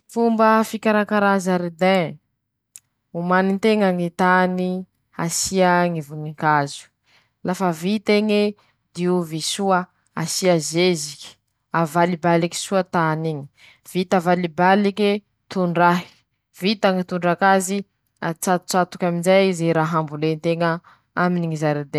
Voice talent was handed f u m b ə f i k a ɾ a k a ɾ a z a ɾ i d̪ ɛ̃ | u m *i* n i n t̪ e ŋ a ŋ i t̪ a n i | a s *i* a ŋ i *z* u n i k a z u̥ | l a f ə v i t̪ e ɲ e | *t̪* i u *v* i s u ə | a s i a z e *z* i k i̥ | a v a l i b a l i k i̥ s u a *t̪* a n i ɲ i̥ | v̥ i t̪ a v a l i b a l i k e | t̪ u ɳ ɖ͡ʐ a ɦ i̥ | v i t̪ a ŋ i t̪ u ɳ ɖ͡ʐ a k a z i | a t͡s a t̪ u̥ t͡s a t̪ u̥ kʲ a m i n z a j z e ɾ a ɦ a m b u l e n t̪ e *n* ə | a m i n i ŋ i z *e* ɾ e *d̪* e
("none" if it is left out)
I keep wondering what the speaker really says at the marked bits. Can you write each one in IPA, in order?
a, i, v, d̪, v, z, t̪, ŋ, a, d̪

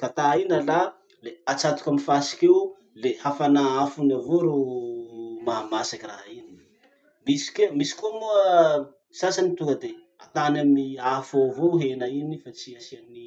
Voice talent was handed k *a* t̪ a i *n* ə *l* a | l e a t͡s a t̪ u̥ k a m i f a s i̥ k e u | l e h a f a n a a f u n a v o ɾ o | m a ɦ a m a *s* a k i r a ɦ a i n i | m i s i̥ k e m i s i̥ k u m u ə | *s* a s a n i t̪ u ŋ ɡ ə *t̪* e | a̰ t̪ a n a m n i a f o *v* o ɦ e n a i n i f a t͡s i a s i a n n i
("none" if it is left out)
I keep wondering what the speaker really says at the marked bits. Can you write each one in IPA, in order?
a, n, l, s, s, d̪, v

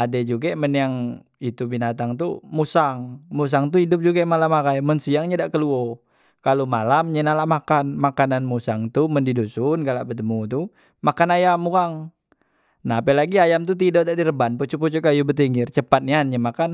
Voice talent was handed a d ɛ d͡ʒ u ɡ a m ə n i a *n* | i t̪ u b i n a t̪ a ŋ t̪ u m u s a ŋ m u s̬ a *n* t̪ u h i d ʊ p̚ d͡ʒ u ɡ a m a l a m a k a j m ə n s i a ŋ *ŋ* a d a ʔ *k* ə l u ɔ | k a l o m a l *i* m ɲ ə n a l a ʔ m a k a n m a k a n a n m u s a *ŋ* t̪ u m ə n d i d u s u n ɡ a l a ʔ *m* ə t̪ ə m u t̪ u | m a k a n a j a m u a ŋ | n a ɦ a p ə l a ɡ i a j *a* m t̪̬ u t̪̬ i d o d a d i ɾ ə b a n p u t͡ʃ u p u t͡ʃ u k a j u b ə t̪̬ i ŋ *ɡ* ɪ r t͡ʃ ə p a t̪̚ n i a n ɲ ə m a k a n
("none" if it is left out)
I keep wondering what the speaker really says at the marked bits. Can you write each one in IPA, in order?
ŋ, ŋ, ɲ, k, a, ŋ, b, a, ɡ

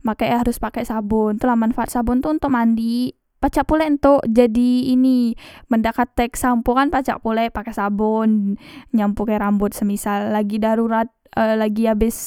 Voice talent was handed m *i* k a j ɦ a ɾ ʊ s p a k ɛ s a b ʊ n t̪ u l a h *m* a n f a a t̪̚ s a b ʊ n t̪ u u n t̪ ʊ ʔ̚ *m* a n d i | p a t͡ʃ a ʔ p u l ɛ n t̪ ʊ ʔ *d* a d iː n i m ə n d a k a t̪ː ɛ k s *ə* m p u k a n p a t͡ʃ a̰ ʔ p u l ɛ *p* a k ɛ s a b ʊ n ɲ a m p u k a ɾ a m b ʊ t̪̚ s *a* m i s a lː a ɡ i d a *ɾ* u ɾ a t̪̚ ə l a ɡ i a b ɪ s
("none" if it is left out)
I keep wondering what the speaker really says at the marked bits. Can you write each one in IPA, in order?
a, m, m, d͡ʒ, a, p, ə, ɾ

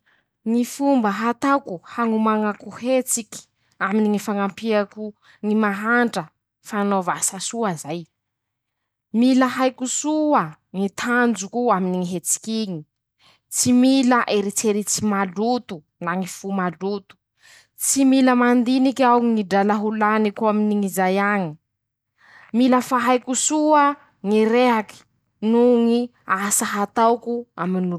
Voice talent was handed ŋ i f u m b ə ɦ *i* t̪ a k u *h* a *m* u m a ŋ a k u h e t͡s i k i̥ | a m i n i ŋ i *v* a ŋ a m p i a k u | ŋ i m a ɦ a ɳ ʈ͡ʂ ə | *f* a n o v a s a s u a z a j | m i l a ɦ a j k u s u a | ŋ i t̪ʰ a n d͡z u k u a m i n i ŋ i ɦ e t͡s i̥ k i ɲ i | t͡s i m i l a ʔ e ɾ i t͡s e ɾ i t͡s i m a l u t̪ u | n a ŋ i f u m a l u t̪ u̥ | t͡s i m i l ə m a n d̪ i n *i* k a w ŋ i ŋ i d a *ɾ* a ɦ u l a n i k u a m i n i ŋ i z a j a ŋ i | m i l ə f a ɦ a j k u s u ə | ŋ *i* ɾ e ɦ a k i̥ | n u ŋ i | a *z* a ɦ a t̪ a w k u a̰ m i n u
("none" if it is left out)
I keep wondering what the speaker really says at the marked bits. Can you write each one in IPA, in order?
a, h, ŋ, f, f, i, l, i, s

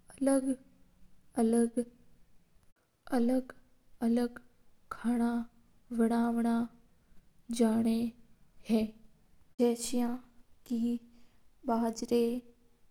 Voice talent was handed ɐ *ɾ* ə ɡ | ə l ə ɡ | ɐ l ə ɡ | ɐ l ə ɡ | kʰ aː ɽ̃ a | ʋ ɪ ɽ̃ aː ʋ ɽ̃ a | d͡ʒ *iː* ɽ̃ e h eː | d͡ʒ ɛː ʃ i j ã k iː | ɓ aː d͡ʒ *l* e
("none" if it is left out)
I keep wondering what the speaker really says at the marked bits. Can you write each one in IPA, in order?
l, aː, ɾ

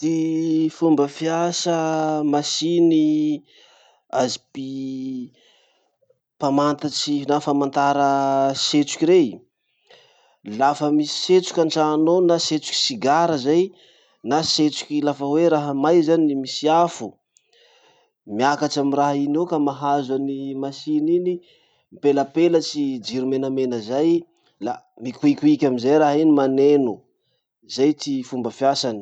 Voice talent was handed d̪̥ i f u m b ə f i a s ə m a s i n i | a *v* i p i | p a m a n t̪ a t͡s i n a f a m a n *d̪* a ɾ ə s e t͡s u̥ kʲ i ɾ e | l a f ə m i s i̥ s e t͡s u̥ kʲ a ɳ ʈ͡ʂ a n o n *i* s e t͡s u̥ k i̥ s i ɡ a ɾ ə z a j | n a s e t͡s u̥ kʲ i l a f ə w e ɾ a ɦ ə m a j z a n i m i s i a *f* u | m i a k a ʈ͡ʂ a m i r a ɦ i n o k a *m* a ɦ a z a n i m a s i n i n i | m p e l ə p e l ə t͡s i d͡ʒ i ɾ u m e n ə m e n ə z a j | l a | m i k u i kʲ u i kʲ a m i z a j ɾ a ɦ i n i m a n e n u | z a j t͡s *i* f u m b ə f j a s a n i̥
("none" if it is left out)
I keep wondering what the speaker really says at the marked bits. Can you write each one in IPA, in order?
z, t̪, a, f, m, i

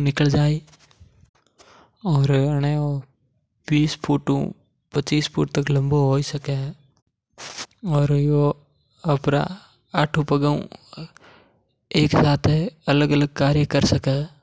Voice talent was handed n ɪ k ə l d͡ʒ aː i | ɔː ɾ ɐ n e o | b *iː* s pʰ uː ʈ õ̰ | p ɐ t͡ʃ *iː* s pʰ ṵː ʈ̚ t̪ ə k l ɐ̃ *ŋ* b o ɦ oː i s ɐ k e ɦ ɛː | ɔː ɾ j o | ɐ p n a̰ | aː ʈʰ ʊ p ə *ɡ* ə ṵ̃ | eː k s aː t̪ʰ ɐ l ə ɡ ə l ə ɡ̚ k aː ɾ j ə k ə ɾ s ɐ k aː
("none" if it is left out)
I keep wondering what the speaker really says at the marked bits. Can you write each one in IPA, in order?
iː, iː, m, ɡ

